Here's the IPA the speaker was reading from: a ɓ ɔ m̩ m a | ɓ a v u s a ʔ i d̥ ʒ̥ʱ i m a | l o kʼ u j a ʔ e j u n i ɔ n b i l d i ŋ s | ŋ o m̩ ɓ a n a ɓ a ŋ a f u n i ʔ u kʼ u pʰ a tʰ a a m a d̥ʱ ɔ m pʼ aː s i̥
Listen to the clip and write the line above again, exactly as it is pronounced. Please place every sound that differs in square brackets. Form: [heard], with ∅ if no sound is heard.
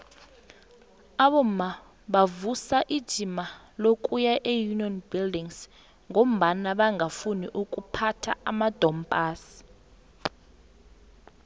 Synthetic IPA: a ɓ ɔ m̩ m a | ɓ a v u s a ʔ i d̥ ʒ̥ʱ i m a | l o kʼ u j a ʔ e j u n i ɔ n b i l d i ŋ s | ŋ o m̩ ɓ a n a ɓ a ŋ a f u n i ʔ u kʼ u pʰ a tʰ a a m a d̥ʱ ɔ m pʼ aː s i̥

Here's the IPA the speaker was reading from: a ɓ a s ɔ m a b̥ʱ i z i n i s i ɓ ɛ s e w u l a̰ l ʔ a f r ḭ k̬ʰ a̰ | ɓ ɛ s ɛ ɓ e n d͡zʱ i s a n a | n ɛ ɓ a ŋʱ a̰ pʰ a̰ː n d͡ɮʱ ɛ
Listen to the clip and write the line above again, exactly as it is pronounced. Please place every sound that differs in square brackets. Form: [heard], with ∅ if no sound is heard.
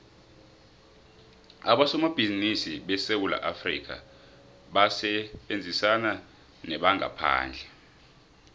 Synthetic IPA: a ɓ a s ɔ m a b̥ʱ i z i n i s i ɓ ɛ s e w u l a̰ [∅] ʔ a f r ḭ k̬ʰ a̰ | ɓ [a] s ɛ ɓ e n d͡zʱ i s a n a | n ɛ ɓ a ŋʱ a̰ pʰ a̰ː n d͡ɮʱ ɛ

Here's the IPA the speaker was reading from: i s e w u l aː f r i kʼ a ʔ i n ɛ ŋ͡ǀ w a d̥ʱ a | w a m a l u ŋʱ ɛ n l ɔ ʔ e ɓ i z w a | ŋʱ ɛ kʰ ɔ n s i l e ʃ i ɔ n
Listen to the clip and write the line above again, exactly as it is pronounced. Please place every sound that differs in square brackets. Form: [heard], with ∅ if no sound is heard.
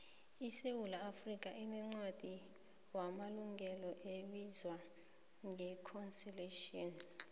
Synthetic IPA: i s e w u l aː f r i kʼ a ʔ i n ɛ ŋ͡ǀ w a d̥ʱ [i] | w a m a l u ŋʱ ɛ [∅] l ɔ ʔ e ɓ i z w a | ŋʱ ɛ kʰ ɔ n s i l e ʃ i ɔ n

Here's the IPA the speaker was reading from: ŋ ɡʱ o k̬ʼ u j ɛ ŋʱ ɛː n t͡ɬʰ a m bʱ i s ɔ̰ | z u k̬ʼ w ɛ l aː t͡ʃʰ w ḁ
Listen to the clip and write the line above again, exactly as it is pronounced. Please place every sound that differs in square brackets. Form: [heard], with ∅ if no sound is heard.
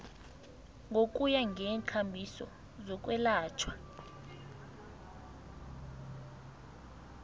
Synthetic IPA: ŋ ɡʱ o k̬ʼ u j [a] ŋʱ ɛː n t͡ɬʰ a m bʱ i s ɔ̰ | z [ɔ] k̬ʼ w ɛ l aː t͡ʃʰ w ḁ

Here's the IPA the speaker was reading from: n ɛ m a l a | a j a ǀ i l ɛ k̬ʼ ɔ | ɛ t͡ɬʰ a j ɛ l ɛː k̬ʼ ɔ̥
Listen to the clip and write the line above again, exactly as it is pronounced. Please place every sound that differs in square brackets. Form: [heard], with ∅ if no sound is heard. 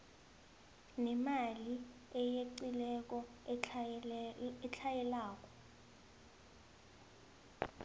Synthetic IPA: n ɛ m a l [i] | [ɛ] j [e] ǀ i l ɛ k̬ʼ ɔ | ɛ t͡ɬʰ a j ɛ l [aː] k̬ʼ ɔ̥

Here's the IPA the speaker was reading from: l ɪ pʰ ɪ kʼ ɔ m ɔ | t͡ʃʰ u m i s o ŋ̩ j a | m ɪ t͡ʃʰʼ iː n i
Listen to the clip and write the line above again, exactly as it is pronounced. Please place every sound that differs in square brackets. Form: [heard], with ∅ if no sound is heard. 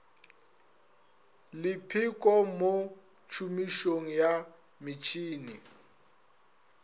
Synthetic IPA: l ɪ pʰ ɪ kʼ ɔ m [o] | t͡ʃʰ u m i [ʃ] o ŋ̩ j a | m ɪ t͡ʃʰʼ iː n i

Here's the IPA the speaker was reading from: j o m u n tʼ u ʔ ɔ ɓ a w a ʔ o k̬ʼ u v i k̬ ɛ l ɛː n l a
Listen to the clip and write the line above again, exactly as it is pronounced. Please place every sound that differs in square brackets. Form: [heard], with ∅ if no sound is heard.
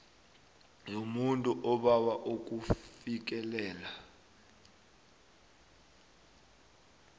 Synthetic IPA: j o m u n tʼ u ʔ ɔ ɓ a w a ʔ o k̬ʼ u [f] i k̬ ɛ l ɛː [∅] l a

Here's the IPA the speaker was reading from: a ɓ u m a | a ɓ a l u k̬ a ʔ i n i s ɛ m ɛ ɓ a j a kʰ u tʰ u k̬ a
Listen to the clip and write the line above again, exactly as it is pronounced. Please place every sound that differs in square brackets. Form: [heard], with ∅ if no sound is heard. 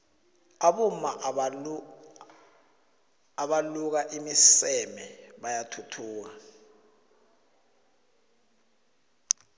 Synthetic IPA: a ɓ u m a | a ɓ a l u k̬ a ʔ i [m] i s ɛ m ɛ ɓ a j a [tʰ] u tʰ [uː] k̬ a

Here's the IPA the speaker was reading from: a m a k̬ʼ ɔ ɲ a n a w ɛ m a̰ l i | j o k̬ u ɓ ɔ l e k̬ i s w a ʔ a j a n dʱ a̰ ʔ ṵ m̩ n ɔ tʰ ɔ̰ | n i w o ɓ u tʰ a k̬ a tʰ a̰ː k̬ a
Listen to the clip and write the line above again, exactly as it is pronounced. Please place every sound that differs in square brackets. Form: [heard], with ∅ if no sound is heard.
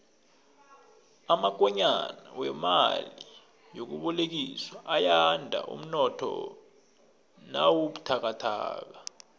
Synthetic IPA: a m a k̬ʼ ɔ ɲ a n a w ɛ m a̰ l i | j o k̬ u ɓ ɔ l e k̬ i s w a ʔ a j a n dʱ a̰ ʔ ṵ m̩ n ɔ tʰ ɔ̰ | n [a] w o ɓ u tʰ a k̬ a tʰ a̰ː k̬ a

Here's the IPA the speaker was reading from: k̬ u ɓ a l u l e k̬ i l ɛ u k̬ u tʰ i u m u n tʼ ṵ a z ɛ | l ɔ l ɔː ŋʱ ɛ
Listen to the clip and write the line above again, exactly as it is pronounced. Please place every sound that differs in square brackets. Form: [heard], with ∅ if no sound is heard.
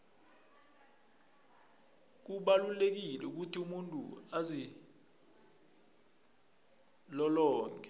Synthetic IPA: k̬ u ɓ a l u l e k̬ i l ɛ u k̬ u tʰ i u m u n tʼ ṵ a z [i] | l ɔ l ɔː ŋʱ ɛ

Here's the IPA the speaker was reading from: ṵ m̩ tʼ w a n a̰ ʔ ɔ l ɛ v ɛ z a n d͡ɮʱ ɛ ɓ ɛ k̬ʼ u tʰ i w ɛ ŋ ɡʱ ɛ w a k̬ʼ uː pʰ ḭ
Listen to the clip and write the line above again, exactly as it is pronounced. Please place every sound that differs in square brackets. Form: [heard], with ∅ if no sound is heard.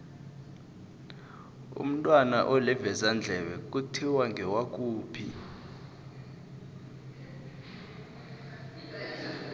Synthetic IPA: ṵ m̩ tʼ w a n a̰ ʔ ɔ l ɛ v ɛ z a n d͡ɮʱ ɛ ɓ ɛ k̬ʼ u tʰ i w [a] ŋ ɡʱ ɛ w a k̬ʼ uː pʰ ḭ

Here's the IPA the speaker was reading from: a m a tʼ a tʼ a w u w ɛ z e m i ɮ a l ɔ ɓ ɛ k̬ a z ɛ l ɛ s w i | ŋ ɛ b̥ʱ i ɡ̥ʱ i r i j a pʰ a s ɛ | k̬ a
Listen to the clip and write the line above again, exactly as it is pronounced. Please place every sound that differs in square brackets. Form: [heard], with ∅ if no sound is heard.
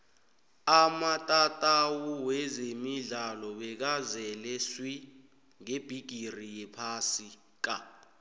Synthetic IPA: a m a tʼ a tʼ a w u w ɛ z e m i ɮ a l ɔ ɓ ɛ k̬ a z ɛ l ɛ s w i | ŋ [e] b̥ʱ i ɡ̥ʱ i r i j [ɛ] pʰ a s [i] | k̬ a

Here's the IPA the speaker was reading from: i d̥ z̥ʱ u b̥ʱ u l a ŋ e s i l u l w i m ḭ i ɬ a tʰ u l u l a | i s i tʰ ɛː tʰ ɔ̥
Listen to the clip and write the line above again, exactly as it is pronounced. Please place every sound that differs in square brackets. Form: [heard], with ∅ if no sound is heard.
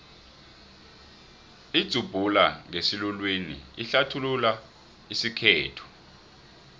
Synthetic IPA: i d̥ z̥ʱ u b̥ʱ u l a ŋ e s i l u l w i [n] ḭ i ɬ a tʰ u l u l a | i s i [kʰ] ɛː tʰ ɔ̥

